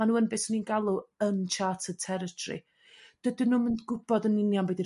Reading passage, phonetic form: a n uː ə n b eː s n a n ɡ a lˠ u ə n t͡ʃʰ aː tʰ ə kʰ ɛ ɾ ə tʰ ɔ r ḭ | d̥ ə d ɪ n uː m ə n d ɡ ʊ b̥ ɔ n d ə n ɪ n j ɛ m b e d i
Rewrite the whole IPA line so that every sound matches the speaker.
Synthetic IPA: a n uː ə n b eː s n i n ɡ a lˠ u ə n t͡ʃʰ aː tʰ ə tʰ ɛ ɾ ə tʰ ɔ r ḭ | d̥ ə d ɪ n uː m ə n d ɡ ʊ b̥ ɔ d ə n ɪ n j a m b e d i